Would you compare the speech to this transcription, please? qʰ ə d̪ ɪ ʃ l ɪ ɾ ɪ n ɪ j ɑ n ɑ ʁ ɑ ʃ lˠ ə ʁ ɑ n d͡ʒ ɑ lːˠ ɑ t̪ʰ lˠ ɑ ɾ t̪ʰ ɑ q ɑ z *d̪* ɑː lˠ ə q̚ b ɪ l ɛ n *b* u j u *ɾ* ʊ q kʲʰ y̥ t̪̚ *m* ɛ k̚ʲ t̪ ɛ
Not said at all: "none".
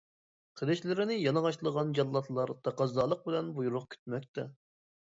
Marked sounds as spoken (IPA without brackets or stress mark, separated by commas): d̪, b, ɾ, m